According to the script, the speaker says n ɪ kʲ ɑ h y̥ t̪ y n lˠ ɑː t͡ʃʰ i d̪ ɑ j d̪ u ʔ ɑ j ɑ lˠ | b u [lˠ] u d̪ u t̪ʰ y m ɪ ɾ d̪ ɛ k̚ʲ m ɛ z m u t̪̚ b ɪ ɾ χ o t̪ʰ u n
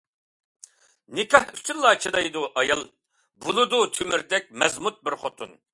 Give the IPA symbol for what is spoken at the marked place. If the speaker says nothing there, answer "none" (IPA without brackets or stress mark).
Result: lˠ